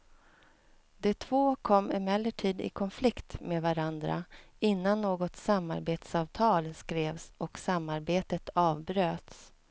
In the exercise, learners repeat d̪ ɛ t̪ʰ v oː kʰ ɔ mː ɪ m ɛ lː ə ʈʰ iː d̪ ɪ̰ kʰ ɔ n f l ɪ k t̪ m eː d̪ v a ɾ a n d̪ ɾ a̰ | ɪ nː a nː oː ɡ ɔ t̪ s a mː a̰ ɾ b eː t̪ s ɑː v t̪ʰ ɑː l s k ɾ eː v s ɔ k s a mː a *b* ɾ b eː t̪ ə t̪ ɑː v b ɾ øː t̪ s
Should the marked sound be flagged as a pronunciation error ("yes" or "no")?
yes